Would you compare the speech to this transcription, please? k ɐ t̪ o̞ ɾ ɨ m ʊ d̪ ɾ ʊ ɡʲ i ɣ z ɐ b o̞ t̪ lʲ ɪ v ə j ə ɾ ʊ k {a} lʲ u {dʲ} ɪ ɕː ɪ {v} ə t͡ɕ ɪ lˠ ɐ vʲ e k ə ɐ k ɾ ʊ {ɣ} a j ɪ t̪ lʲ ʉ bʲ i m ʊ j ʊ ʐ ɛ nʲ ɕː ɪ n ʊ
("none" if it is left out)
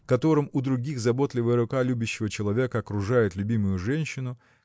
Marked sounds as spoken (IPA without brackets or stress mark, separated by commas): a, bʲ, v, ʐ